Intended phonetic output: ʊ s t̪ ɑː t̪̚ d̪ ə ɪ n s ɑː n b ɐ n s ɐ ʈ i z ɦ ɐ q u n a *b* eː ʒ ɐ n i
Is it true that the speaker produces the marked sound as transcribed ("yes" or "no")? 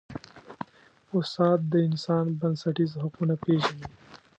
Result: no